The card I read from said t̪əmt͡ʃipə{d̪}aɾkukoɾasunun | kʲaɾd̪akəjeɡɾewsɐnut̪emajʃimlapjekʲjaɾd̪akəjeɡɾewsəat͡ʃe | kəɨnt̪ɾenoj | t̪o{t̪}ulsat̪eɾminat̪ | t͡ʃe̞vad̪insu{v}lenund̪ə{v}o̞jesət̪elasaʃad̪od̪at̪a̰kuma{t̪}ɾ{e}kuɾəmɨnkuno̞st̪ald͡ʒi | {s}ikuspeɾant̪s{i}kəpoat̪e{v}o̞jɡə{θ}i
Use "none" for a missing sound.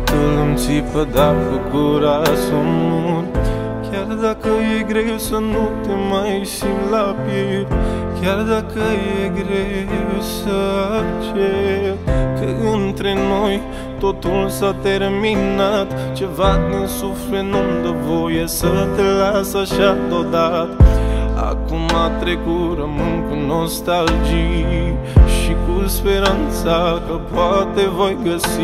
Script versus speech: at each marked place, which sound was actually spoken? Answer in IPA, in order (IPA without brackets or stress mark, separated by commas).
d̪, t̪, f, v, t̪, e, ʃ, a, v, s